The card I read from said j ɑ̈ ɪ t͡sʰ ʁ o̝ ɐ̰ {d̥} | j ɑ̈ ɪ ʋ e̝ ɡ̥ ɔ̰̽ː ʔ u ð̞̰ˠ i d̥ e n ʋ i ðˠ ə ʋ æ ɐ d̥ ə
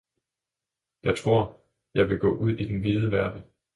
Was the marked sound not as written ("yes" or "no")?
yes